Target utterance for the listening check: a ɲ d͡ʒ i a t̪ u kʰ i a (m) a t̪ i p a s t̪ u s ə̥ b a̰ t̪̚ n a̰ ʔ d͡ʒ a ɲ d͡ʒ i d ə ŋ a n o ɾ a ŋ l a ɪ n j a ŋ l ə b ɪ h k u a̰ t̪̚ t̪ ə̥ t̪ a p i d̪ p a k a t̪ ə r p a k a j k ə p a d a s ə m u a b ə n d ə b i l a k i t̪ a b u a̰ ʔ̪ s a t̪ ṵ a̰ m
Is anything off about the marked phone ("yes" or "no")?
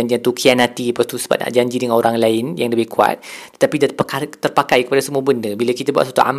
yes